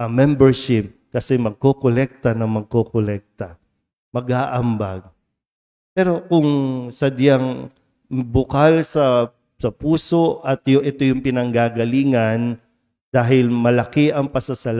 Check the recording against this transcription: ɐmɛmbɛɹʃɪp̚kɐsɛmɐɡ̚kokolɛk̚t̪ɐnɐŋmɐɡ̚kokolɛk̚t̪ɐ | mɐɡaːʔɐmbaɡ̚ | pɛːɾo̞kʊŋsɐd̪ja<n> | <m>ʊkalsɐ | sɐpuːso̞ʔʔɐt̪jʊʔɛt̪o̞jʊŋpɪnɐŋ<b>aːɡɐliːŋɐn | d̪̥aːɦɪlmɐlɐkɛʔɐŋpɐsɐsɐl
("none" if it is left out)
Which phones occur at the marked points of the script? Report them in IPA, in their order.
ŋ, b, ɡ

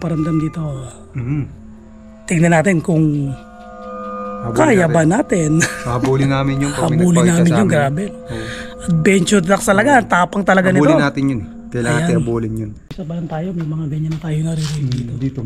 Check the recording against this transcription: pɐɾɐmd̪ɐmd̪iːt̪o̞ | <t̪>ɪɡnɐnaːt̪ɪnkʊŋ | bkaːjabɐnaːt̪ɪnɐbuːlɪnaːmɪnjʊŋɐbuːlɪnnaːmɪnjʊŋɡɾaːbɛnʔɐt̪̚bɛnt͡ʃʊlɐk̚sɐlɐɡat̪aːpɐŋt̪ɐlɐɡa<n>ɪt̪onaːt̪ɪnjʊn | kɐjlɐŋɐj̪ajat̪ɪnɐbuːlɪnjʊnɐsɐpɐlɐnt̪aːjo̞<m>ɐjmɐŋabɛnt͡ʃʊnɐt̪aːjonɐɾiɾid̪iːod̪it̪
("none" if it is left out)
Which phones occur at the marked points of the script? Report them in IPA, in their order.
t̪, n, m

